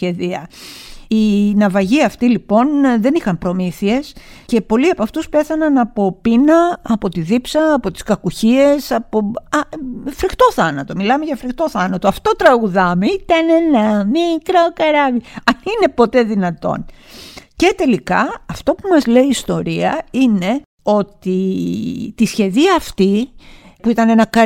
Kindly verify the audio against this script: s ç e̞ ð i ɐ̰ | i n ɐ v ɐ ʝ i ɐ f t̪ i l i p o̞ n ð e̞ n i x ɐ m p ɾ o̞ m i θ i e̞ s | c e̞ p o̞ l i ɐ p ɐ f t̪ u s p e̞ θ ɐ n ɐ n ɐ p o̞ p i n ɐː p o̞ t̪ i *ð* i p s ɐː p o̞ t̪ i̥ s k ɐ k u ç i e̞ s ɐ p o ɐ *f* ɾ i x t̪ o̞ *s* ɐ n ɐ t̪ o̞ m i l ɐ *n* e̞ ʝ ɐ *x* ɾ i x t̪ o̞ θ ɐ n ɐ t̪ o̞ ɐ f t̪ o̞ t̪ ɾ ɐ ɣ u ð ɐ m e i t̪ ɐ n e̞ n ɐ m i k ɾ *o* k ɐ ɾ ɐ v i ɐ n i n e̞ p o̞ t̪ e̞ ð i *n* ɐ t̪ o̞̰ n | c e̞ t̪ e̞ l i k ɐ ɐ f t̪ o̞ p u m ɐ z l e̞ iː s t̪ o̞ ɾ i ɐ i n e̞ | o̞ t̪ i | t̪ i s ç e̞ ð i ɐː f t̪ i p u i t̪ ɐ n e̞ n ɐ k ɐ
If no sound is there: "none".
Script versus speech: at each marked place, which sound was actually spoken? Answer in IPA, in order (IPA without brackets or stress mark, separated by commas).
ð, f, θ, m, f, o, n